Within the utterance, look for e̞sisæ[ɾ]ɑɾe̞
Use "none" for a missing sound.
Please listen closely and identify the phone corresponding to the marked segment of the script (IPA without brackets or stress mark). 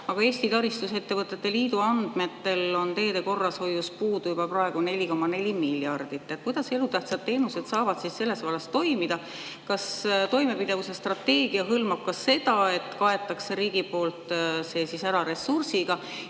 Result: ɾ